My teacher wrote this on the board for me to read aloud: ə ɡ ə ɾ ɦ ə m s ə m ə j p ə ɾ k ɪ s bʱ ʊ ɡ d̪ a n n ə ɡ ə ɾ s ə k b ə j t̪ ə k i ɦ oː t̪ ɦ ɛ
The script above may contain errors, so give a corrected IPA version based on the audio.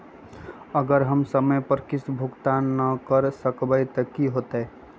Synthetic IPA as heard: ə ɡ ə ɾ ɦ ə m s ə m ə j p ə ɾ k ɪ s bʱ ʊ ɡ t̪ a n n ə k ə ɾ s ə k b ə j t̪ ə k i ɦ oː t̪ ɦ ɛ